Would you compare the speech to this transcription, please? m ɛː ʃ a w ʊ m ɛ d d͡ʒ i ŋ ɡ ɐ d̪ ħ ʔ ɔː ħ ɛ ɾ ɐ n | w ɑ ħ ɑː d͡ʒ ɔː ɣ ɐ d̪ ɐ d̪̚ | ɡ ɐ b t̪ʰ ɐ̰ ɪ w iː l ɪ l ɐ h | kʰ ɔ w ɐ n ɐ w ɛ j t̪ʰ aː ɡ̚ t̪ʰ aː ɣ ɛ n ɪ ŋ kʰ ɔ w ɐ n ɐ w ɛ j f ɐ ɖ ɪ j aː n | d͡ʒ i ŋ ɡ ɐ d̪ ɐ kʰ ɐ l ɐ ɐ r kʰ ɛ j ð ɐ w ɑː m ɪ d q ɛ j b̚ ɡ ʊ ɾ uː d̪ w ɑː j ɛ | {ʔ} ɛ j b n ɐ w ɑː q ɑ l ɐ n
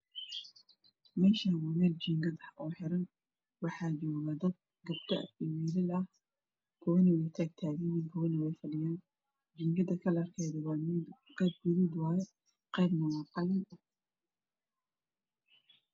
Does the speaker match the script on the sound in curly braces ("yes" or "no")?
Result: no